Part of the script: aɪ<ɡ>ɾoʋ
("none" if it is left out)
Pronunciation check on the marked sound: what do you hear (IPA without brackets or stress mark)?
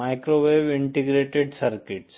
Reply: k